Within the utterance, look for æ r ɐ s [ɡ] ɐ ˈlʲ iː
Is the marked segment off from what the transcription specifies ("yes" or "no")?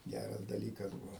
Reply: yes